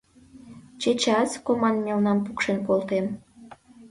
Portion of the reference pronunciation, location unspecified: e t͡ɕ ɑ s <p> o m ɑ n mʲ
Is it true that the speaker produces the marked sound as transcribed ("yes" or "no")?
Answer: no